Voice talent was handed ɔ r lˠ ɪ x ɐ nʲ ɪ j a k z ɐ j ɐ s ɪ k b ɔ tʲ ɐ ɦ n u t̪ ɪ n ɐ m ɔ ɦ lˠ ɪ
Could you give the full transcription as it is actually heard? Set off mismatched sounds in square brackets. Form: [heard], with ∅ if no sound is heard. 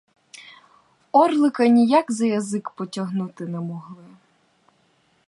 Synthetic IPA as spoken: ɔ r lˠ ɪ [k] ɐ nʲ [i] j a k z ɐ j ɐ [z] ɪ k [p] ɔ tʲ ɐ ɦ n u t̪ ɪ n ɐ m ɔ ɦ lˠ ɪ